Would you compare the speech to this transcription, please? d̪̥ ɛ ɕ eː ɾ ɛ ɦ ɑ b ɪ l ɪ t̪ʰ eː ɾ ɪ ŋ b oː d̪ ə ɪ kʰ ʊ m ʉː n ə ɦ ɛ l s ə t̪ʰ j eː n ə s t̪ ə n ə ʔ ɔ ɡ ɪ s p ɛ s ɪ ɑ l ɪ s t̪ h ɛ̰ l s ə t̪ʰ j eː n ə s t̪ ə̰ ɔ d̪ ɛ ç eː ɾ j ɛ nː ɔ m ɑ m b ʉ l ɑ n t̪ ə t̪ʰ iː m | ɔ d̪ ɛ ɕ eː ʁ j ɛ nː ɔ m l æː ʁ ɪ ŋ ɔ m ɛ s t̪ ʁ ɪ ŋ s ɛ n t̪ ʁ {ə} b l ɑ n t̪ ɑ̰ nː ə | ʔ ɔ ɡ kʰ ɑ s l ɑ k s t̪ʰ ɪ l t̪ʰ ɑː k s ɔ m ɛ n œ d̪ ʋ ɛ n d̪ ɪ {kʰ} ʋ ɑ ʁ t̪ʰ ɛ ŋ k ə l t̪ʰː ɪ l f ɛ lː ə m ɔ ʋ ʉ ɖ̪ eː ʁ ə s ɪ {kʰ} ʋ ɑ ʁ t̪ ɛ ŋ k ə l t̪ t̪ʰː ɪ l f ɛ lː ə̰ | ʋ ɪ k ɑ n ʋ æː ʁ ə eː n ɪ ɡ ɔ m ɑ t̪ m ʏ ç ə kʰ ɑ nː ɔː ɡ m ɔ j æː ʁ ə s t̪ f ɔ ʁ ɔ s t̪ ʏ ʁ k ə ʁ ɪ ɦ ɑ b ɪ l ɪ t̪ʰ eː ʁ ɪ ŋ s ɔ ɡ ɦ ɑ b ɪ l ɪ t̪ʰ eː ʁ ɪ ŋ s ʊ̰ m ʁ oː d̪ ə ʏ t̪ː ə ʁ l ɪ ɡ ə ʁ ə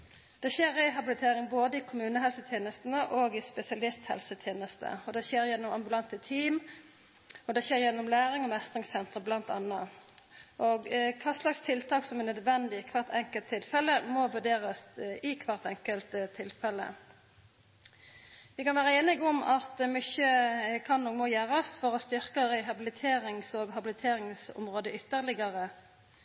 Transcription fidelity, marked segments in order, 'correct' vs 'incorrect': correct, correct, correct

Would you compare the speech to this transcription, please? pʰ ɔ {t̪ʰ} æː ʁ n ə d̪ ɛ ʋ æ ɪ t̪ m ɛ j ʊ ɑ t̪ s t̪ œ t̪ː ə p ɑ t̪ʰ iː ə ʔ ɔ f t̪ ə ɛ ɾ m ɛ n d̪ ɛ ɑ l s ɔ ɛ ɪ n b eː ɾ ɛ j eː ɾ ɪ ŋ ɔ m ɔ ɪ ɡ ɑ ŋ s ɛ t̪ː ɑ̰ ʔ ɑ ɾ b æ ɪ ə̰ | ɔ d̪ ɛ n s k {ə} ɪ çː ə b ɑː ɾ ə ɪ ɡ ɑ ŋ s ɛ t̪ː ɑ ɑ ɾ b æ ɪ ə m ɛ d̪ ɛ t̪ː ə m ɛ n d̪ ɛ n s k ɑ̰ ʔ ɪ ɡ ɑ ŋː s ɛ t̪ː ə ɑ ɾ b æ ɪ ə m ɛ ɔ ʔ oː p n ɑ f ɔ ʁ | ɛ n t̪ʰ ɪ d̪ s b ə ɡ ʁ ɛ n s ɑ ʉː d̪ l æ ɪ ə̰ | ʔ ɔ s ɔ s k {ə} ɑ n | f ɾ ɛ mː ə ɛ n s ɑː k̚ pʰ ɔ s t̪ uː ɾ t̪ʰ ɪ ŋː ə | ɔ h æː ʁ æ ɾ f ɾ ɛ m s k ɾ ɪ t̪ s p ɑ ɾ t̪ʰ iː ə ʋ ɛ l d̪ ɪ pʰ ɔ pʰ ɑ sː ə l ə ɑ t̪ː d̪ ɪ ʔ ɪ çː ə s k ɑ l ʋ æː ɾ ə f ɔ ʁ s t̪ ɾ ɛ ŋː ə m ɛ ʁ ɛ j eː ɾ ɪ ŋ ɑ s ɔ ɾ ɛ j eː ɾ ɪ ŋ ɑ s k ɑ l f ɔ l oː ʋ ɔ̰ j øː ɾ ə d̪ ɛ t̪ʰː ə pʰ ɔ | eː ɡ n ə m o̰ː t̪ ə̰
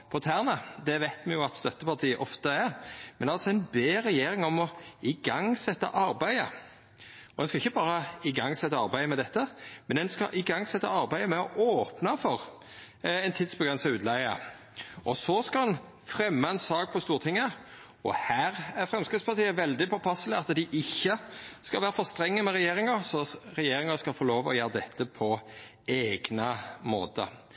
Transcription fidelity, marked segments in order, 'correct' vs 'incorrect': correct, incorrect: ɑ, incorrect: ɑ

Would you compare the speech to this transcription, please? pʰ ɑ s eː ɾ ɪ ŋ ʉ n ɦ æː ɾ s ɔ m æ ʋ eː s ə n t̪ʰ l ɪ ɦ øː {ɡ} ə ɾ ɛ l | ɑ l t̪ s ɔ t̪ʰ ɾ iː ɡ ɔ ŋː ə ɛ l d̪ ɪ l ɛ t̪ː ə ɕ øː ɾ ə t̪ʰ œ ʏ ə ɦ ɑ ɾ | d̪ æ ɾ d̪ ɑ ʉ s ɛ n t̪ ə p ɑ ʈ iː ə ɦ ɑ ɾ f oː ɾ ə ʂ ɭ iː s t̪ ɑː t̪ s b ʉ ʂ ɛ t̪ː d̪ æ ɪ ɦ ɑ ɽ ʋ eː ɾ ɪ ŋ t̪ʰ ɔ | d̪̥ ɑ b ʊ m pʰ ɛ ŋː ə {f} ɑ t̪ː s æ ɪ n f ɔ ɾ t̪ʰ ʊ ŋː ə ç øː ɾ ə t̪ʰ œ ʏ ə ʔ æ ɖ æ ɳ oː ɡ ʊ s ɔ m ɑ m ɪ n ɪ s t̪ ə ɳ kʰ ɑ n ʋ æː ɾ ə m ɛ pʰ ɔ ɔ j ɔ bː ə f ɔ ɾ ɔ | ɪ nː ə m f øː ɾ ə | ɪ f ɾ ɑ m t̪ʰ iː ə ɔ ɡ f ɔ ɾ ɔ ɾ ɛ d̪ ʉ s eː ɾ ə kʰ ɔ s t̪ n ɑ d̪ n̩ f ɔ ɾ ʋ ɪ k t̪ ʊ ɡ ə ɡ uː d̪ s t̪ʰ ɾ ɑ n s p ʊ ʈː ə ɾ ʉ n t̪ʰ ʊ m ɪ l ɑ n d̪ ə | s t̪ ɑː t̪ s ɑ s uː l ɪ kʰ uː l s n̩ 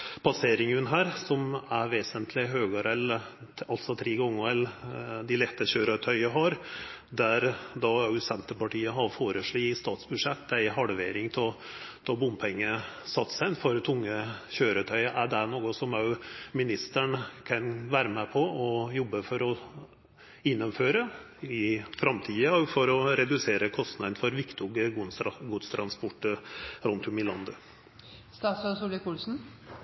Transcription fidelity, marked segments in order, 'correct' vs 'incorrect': correct, incorrect: s

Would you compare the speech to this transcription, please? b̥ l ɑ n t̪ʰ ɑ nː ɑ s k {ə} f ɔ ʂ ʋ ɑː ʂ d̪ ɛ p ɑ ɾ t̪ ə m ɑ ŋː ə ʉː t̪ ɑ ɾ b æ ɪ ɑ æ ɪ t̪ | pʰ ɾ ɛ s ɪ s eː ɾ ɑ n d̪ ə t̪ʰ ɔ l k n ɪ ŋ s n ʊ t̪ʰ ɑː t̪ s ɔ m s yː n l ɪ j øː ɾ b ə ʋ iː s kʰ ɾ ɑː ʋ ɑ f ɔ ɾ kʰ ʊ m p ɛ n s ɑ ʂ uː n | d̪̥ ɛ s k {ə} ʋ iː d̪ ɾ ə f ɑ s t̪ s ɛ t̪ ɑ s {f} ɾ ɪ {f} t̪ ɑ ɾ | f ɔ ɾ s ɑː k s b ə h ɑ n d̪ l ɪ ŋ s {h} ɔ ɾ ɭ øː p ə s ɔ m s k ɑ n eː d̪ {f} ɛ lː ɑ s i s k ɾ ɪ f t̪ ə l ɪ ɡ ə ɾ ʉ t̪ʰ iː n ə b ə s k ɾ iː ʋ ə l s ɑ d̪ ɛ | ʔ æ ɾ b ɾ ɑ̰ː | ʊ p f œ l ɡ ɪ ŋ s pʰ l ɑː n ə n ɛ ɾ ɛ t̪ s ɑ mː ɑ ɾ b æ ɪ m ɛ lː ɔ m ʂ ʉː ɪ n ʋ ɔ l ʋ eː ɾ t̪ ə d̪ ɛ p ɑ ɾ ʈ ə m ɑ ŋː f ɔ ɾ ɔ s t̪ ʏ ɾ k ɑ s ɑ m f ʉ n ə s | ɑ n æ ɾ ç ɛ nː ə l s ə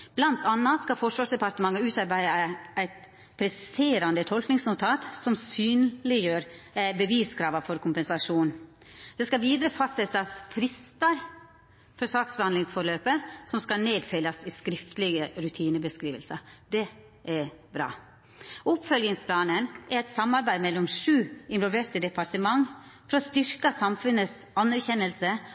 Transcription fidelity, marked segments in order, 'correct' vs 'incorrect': incorrect: ɑ, incorrect: ɑ, correct, incorrect: s, incorrect: f, correct

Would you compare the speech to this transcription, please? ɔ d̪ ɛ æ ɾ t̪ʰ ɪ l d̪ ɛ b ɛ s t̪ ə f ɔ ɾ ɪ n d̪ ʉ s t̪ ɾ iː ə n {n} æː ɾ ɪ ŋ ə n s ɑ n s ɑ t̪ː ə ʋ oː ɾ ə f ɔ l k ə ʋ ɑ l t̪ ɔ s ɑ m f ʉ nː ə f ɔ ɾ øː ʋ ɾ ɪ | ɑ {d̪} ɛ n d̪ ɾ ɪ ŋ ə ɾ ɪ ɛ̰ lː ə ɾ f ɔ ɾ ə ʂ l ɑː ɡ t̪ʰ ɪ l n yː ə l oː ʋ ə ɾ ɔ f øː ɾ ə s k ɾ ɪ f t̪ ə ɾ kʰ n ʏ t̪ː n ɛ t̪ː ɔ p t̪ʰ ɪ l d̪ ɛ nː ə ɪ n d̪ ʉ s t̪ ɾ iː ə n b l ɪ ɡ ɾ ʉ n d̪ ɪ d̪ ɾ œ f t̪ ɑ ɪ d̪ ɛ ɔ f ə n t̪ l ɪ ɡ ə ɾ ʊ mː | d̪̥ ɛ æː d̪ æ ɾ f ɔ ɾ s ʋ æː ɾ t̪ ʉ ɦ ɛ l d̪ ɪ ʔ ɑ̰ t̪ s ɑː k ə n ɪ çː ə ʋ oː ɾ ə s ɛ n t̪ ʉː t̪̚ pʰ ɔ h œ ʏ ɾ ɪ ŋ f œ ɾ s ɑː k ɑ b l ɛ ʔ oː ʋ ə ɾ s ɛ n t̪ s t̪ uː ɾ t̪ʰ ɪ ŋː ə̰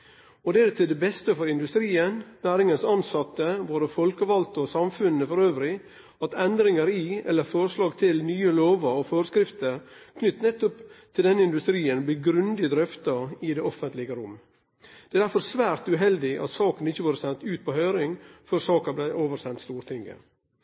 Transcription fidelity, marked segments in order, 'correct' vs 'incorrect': correct, incorrect: t̪

